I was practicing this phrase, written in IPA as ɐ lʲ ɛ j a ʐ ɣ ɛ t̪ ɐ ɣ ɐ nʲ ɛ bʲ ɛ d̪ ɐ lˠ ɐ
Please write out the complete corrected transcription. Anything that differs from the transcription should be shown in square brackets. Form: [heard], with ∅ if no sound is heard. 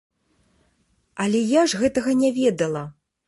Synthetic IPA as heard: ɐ lʲ ɛ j a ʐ ɣ ɛ t̪ ɐ ɣ ɐ nʲ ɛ [vʲ] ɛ d̪ ɐ lˠ ɐ